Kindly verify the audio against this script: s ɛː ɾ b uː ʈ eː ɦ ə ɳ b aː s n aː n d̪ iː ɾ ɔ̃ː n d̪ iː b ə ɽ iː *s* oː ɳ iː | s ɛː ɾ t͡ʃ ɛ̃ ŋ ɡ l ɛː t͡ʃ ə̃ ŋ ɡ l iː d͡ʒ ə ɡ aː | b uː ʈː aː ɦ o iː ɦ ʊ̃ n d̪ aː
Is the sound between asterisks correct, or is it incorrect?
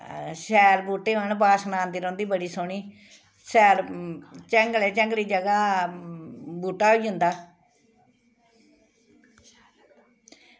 correct